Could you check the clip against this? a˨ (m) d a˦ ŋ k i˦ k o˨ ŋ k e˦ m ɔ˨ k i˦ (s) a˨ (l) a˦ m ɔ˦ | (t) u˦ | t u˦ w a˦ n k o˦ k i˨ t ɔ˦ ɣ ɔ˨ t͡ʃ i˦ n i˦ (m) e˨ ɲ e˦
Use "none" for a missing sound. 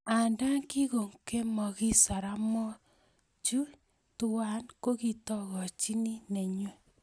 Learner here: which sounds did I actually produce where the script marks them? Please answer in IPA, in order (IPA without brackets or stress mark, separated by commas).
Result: n, s, ɾ, t͡ʃ, n